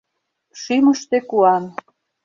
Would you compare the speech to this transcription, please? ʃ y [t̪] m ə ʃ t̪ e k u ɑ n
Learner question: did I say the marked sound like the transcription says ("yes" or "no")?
no